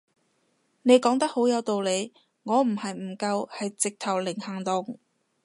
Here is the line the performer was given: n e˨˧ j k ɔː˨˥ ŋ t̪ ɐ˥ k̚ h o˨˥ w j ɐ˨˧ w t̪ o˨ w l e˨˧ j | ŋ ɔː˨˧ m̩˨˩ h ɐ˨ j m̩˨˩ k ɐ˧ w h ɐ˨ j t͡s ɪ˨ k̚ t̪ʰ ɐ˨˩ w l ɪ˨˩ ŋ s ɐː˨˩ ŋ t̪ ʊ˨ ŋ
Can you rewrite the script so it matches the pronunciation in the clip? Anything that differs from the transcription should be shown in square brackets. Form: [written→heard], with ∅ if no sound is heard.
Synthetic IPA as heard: n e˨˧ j k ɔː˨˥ ŋ t̪ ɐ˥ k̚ h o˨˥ w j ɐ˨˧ w t̪ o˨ w l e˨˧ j | ŋ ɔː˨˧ m̩˨˩ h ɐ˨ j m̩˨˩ k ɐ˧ w h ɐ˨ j t͡s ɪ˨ k̚ t̪ʰ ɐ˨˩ w l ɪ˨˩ ŋ [s→h] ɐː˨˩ ŋ t̪ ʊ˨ ŋ